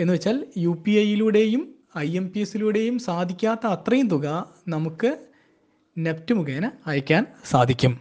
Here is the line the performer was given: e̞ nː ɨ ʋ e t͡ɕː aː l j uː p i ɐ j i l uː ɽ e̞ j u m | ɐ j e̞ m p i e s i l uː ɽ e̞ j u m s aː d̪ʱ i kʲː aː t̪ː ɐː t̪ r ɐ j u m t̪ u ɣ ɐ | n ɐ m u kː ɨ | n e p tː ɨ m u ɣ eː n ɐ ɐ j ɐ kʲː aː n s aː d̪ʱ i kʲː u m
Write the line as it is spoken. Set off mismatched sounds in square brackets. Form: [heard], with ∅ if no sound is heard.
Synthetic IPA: e̞ nː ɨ ʋ e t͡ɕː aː l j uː p i ɐ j i l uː ɽ e̞ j u m | ɐ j e̞ m p i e s i l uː ɽ e̞ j u m s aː d̪ʱ i kʲː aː t̪ː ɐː t̪ r ɐ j u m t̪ u ɣ ɐ | n ɐ m u kː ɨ | n e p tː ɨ m u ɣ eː n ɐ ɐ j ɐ kʲː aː n s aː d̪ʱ i kʲː u m